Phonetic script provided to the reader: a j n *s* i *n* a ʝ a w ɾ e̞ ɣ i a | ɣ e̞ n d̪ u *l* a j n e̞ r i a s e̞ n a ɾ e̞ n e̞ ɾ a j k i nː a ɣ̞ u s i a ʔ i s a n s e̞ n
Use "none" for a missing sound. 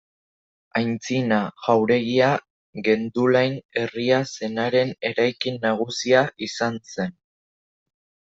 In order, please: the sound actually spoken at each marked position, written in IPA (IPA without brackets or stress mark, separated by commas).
t͡s, n, l